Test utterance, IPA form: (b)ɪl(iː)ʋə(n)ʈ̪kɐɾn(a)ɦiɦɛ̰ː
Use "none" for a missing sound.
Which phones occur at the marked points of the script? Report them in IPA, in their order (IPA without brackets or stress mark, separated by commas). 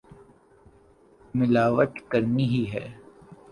m, aː, none, i